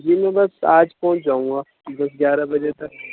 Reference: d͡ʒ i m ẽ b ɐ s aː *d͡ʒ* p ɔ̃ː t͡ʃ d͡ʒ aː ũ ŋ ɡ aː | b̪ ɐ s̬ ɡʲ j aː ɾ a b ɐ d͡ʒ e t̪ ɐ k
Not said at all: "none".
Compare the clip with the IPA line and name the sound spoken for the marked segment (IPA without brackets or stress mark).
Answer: d͡ʒ